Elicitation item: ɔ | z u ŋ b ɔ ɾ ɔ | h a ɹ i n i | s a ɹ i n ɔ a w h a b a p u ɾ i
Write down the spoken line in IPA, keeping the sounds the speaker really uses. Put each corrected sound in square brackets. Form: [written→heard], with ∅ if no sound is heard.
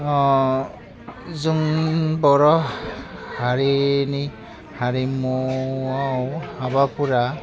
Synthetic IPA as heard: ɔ | z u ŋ b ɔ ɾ ɔ | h a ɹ i n i | [s→h] a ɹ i [n→m] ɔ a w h a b a p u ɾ [i→a]